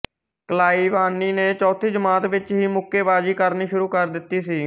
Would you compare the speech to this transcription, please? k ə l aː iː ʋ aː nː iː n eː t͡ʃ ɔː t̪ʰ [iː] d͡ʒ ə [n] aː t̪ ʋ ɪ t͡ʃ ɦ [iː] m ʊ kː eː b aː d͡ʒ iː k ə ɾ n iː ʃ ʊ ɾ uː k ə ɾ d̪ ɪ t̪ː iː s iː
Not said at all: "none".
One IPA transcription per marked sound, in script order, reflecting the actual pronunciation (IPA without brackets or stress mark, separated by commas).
iː, m, iː